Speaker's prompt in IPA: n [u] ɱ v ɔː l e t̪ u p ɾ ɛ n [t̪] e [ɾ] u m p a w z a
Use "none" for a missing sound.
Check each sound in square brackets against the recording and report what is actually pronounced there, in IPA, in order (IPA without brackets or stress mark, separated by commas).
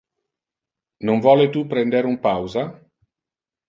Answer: o, d̪, ɾ